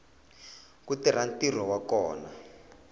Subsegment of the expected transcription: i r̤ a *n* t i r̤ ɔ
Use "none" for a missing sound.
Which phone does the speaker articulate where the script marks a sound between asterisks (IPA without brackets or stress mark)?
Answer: n